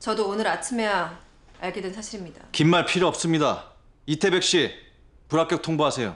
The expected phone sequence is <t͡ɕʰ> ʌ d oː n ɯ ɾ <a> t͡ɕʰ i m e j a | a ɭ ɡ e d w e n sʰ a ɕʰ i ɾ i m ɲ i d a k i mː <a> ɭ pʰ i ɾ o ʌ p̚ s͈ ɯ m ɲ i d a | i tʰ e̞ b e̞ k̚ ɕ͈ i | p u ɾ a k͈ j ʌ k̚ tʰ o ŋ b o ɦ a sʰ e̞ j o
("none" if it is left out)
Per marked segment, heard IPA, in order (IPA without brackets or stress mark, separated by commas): t͡ɕ, a, a